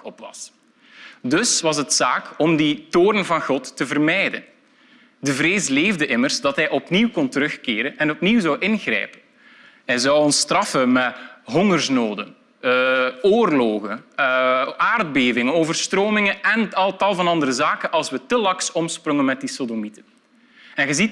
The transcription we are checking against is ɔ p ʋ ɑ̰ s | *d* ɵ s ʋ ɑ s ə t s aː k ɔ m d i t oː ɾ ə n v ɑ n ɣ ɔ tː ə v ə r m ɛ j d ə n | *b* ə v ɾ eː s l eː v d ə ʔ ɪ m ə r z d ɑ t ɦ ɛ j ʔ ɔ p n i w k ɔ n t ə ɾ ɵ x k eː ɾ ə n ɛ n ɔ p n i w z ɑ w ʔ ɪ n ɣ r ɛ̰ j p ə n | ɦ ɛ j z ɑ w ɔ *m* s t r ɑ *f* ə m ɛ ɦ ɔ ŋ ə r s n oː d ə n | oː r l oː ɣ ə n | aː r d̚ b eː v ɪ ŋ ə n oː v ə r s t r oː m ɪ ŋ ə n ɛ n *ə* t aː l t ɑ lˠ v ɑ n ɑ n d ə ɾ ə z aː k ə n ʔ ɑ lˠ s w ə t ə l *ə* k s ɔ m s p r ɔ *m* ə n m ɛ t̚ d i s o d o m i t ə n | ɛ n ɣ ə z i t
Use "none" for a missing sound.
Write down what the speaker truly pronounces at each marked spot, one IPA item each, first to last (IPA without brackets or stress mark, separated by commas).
d, d, n, f, ə, ɑ, ŋ